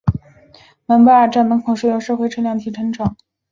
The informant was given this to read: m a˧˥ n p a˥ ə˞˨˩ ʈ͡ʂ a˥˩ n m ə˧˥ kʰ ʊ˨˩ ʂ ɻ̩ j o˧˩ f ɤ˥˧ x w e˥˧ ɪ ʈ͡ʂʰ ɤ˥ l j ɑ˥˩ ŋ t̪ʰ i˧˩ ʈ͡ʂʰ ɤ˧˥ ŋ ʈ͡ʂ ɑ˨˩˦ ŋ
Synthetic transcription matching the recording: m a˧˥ n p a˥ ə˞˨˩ ʈ͡ʂ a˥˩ n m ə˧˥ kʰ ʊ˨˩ ʂ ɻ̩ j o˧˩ ʂ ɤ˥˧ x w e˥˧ ɪ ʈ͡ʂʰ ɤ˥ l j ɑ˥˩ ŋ t̪ʰ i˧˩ ʈ͡ʂʰ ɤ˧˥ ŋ ʈ͡ʂ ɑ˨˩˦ ŋ